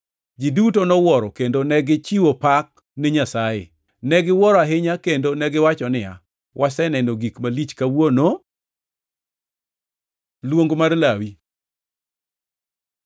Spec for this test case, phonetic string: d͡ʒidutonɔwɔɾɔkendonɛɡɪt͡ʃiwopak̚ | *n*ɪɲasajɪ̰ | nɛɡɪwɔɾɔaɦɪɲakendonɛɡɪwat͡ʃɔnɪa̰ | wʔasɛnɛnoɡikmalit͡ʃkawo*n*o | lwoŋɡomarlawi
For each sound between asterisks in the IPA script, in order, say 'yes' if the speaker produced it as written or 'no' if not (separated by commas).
yes, yes